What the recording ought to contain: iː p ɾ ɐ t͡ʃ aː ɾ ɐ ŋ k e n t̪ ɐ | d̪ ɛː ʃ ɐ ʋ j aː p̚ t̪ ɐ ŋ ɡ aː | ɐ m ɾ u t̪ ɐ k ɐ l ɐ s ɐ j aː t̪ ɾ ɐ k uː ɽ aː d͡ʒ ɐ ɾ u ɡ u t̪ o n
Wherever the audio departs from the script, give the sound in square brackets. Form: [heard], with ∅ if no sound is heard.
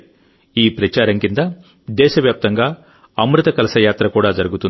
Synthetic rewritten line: iː p ɾ ɐ t͡ʃ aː ɾ ɐ ŋ k [i] n [d̪] ɐ | d̪ ɛː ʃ ɐ ʋ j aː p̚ t̪ ɐ ŋ ɡ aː | ɐ m ɾ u t̪ ɐ k ɐ l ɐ s ɐ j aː t̪ ɾ ɐ k uː ɽ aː d͡ʒ ɐ ɾ u ɡ u t̪ [u] n

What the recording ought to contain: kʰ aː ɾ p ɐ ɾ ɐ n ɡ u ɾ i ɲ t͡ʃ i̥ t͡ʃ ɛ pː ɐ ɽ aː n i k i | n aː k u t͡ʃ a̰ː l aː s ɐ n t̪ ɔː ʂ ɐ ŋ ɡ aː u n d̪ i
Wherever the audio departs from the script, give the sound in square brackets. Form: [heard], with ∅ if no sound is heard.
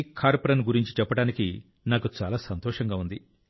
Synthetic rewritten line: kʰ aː ɾ p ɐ ɾ ɐ n ɡ u ɾ i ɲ t͡ʃ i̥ t͡ʃ ɛ pː ɐ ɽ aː n i k i | n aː k u t͡ʃ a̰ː l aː s ɐ n t̪ ɔː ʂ ɐ ŋ ɡ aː u n d̪ i

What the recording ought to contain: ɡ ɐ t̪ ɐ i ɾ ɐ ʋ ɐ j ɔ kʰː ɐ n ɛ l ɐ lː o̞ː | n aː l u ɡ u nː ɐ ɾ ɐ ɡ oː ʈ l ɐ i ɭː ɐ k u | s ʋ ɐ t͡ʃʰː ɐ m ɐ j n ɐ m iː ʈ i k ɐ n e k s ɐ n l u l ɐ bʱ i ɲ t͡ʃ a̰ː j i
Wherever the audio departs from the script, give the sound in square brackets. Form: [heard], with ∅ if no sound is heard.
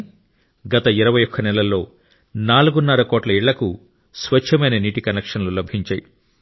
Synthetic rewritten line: ɡ ɐ t̪ ɐ i ɾ ɐ ʋ ɐ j ɔ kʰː ɐ n ɛ l ɐ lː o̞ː | n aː l u ɡ u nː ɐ ɾ ɐ [k] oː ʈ l ɐ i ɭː ɐ k u | s ʋ ɐ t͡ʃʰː ɐ m ɐ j n ɐ [n] iː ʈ i k ɐ n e k [ʂ] ɐ n l u l ɐ bʱ i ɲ t͡ʃ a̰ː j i

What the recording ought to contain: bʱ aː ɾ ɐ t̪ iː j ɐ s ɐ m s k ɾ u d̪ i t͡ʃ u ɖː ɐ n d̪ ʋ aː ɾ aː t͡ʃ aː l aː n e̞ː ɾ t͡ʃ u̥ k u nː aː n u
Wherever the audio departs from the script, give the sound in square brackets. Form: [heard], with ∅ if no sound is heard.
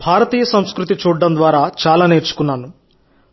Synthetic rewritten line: bʱ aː ɾ ɐ t̪ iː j ɐ s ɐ m s k ɾ u [t̪] i t͡ʃ [uː] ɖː ɐ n d̪ ʋ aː ɾ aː t͡ʃ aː l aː n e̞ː ɾ t͡ʃ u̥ k u nː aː n u

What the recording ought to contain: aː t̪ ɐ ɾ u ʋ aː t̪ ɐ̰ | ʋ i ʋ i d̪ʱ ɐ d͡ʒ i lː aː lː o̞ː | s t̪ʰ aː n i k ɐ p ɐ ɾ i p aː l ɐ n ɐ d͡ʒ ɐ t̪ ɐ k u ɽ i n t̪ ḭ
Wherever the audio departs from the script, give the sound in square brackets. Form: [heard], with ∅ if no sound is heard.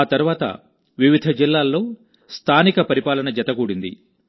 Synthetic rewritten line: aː t̪ ɐ ɾ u ʋ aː t̪ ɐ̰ | ʋ i ʋ i d̪ʱ ɐ d͡ʒ i lː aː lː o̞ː | s t̪ʰ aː n i k ɐ p ɐ ɾ i p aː l ɐ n ɐ d͡ʒ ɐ t̪ ɐ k [uː] ɽ i n [d̪] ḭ

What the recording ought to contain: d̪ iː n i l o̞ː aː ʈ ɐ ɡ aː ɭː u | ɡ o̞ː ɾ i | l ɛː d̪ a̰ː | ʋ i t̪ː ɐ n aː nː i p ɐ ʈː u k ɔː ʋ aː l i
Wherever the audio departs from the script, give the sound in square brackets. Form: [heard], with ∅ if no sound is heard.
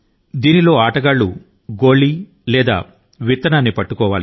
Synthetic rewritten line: d̪ iː n i l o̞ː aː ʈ ɐ ɡ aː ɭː u | ɡ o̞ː [ɭ] i | l ɛː d̪ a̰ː | ʋ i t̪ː ɐ n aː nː i p ɐ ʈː u k ɔː ʋ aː l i

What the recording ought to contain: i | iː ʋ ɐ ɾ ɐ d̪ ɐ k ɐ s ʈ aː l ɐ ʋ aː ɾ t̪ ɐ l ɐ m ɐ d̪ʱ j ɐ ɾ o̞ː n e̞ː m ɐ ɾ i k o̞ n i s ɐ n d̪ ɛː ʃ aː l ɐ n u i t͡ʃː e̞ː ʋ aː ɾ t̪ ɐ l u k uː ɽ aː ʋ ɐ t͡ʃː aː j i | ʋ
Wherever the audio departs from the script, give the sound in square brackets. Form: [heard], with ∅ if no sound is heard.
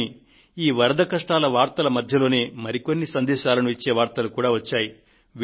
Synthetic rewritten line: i | iː ʋ ɐ ɾ ɐ d̪ ɐ k ɐ [ʂ] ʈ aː l ɐ ʋ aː ɾ t̪ ɐ l ɐ m ɐ d̪ʱ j ɐ [l] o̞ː n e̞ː m ɐ ɾ i k o̞ [nː] i s ɐ n d̪ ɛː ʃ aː l ɐ n u i t͡ʃː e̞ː ʋ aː ɾ t̪ ɐ l u k uː ɽ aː ʋ ɐ t͡ʃː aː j i | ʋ

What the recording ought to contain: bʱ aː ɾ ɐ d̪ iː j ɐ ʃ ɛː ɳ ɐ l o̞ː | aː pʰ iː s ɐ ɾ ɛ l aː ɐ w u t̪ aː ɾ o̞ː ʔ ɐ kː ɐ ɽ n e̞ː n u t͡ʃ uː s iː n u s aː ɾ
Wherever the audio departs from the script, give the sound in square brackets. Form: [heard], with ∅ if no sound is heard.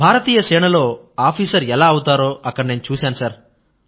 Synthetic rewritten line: bʱ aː ɾ ɐ [t̪] iː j ɐ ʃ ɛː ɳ ɐ l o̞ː | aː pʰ iː s ɐ ɾ ɛ l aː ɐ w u t̪ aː ɾ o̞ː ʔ ɐ kː ɐ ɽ n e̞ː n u t͡ʃ uː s [aː] n u s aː ɾ

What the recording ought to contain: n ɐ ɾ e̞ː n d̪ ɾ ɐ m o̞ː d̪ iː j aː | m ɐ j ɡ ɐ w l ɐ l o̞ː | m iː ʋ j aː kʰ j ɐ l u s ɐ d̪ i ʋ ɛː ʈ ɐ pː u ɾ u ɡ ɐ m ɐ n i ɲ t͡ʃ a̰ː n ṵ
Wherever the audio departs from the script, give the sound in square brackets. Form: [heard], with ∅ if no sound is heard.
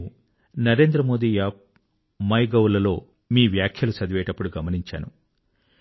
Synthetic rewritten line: n ɐ ɾ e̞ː n d̪ ɾ ɐ m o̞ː d̪ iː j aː | m ɐ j ɡ ɐ w l ɐ l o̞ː | m iː ʋ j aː kʰ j ɐ l u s ɐ d̪ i ʋ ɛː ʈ ɐ pː u [ɽ] u ɡ ɐ m ɐ n i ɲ t͡ʃ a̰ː n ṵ

